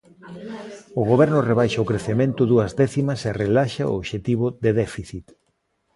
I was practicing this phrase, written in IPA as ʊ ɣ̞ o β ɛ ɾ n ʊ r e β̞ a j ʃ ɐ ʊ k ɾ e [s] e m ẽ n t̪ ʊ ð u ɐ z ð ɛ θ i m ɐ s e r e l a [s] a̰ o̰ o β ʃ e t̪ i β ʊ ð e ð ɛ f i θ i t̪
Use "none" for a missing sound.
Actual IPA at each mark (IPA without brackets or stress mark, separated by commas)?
θ, ʃ